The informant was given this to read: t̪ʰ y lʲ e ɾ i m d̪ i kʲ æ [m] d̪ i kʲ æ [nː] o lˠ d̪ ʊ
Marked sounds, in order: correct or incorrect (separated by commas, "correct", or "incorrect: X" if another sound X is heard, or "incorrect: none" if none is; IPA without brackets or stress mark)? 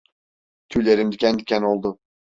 incorrect: n, incorrect: n